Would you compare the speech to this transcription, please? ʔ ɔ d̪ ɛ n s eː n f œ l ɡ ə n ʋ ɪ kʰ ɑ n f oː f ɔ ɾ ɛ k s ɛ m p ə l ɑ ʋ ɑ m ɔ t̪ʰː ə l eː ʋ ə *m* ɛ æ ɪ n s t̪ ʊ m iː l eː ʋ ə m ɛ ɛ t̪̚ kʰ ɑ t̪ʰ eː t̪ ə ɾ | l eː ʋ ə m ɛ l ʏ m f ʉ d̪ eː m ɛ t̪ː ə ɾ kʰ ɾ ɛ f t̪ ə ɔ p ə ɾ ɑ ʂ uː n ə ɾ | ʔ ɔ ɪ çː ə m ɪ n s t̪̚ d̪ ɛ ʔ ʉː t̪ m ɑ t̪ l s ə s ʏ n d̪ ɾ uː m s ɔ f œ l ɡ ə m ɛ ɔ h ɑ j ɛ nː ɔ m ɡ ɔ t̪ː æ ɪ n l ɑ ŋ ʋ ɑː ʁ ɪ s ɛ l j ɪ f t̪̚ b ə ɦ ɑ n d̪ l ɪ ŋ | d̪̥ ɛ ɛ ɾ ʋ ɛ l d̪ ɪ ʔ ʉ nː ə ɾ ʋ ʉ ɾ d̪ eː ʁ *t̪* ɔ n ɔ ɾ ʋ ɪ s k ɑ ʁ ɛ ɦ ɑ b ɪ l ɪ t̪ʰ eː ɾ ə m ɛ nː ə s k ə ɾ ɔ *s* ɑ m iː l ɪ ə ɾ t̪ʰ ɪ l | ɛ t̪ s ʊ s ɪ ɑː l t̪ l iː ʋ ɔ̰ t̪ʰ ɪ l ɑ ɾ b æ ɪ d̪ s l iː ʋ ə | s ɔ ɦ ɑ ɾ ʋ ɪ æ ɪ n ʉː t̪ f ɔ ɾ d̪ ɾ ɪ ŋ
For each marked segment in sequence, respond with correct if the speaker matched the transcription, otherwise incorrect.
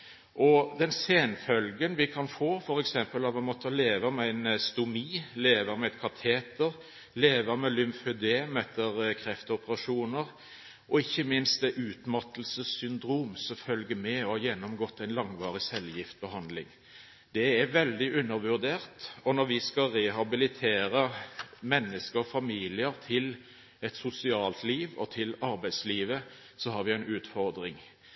correct, correct, incorrect

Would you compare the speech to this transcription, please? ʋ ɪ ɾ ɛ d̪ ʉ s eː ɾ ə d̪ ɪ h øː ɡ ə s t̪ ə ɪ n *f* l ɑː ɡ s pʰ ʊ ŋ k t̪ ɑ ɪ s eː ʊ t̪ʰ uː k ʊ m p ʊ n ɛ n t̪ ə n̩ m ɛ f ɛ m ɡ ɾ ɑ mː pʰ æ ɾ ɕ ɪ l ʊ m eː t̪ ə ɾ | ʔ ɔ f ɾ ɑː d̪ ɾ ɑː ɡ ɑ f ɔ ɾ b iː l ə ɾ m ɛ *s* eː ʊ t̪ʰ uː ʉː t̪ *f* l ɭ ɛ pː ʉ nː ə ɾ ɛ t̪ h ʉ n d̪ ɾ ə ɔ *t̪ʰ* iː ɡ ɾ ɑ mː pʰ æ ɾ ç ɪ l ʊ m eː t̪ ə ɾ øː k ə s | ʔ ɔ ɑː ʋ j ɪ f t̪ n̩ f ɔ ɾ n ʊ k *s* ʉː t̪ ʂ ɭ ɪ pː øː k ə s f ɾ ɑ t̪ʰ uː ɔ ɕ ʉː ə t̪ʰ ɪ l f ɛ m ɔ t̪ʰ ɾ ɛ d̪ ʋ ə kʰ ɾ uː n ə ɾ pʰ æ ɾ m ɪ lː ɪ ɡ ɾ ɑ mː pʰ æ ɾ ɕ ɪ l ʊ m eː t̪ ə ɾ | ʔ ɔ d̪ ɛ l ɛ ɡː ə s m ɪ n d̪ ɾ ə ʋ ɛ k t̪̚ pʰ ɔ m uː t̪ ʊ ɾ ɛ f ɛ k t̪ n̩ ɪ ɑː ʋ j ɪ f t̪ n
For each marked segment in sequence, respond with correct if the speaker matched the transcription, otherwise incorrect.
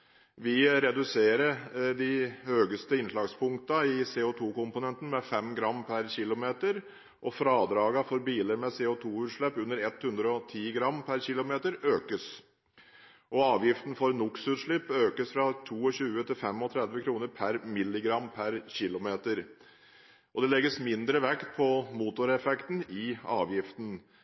incorrect, correct, incorrect, correct, correct

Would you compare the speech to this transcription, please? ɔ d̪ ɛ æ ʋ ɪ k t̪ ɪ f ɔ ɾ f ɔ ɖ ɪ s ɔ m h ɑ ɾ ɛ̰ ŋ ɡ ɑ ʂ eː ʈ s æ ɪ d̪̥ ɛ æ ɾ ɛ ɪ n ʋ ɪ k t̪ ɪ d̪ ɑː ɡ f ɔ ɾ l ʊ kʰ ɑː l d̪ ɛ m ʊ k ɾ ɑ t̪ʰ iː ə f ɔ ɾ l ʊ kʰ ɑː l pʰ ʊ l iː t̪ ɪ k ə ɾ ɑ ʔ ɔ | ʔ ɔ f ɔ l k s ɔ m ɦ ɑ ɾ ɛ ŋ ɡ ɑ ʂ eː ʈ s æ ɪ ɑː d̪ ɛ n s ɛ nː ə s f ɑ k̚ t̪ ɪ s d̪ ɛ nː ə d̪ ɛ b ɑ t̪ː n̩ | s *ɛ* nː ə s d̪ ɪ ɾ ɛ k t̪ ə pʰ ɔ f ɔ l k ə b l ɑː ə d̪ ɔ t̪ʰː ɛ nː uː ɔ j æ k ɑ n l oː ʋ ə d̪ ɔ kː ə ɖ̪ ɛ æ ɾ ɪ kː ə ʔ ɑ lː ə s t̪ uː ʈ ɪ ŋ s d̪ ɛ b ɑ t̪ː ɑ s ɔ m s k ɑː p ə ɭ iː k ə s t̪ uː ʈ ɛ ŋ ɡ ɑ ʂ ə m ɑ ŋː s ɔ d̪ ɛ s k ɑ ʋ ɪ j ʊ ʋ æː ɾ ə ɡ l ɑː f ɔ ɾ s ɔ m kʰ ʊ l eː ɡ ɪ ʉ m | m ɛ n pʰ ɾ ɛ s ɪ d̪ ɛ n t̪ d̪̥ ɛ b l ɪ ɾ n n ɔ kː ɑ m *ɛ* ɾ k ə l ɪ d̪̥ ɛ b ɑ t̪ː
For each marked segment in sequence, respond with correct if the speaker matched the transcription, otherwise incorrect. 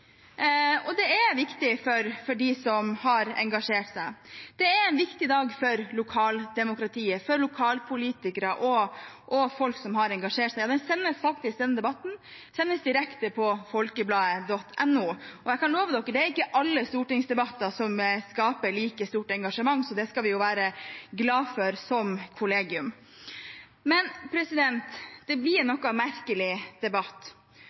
correct, incorrect

